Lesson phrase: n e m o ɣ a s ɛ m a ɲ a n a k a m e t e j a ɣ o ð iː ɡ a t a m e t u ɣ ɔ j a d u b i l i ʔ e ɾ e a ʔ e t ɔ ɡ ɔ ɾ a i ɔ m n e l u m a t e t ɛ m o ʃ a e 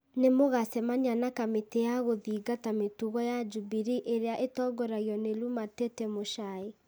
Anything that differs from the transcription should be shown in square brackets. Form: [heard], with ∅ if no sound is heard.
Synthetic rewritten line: n e m o ɣ a s ɛ m a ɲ a n a k a m e t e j a ɣ o ð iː ɡ a t a m e t u ɣ ɔ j a [d͡ʒ] u b i [ɾ] i ʔ e ɾ e a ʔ e t ɔ ɡ ɔ ɾ a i ɔ [∅] n e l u m a t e t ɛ m o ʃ a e